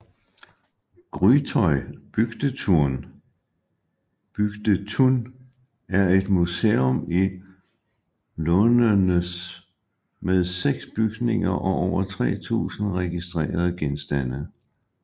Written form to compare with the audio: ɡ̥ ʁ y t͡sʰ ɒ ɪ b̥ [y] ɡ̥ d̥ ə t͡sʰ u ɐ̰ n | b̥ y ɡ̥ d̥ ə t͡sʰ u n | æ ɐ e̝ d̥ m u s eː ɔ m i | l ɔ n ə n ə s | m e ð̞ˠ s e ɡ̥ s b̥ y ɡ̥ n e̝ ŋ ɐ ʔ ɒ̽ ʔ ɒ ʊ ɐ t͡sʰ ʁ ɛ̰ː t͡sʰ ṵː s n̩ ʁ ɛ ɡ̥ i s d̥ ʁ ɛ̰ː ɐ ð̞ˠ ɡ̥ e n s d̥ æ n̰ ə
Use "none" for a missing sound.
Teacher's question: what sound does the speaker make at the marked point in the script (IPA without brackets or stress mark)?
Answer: y